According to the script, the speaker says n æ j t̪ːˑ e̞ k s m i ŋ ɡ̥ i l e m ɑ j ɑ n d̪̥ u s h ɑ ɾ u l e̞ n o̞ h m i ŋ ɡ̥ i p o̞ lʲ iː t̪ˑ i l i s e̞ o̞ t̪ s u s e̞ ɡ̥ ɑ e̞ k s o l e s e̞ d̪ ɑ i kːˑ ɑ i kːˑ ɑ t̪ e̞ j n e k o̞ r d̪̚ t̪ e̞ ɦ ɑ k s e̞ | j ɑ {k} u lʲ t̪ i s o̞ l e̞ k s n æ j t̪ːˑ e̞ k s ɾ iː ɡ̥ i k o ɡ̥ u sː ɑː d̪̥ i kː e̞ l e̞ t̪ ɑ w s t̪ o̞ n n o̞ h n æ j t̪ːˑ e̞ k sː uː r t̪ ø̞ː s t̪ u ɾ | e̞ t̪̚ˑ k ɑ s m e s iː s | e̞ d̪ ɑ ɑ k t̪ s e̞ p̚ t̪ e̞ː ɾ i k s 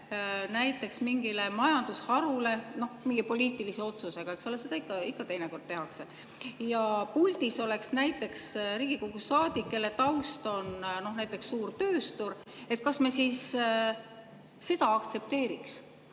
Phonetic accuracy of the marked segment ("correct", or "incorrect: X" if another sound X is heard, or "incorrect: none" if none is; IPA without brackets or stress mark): incorrect: p